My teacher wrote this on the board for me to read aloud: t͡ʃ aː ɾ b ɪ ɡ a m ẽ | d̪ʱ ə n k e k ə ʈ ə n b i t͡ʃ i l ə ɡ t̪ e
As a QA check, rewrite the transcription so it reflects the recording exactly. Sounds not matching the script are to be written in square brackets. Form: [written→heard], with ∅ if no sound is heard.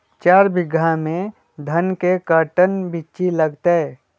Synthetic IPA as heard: t͡ʃ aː ɾ b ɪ ɡ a m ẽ | d̪ʱ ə n k e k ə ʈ ə n b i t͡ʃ i l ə ɡ t̪ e